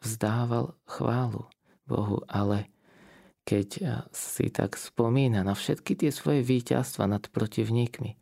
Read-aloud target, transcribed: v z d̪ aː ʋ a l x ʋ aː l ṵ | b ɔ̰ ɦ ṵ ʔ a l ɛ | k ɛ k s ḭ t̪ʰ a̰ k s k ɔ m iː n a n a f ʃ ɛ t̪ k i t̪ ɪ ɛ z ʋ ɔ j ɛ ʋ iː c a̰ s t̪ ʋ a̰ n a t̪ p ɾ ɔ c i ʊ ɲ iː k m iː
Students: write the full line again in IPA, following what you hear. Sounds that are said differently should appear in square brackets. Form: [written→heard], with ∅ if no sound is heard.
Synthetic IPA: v z d̪ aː ʋ a l x ʋ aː l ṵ | b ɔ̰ ɦ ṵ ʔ a l ɛ | k ɛ [k→c] s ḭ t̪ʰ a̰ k s [k→p] ɔ m iː n a n a f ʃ ɛ t̪ k i t̪ ɪ ɛ [z→s] ʋ ɔ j ɛ ʋ iː c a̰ s t̪ ʋ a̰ n a t̪ p ɾ ɔ c i ʊ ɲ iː k m [iː→i]